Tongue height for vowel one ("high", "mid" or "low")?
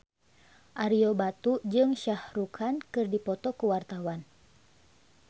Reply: low